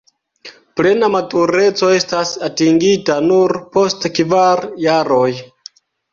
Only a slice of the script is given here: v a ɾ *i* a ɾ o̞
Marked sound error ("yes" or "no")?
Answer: yes